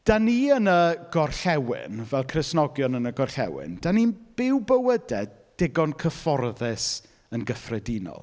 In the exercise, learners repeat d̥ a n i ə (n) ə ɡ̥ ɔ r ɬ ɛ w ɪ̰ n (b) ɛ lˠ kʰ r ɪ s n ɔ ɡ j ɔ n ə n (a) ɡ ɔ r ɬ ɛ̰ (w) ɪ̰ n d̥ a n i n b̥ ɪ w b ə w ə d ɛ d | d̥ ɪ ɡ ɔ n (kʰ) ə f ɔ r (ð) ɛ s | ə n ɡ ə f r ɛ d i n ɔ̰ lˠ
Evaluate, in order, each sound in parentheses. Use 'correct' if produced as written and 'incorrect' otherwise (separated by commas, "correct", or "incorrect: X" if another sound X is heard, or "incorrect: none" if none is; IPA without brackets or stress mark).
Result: correct, incorrect: v, incorrect: ə, correct, correct, correct